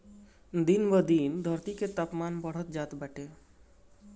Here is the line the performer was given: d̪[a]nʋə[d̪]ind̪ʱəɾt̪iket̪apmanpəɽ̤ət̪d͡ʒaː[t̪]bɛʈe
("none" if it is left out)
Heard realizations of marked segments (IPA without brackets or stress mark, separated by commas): i, d̪, t̪